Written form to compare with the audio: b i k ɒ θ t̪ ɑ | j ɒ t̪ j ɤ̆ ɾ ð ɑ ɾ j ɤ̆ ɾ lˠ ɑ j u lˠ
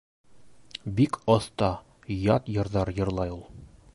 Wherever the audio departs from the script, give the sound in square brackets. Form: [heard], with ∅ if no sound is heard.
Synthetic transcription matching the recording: b i k ɒ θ t̪ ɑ | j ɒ t̪ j ɤ̆ ɾ ð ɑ ɾ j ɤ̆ ɾ lˠ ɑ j u lˠ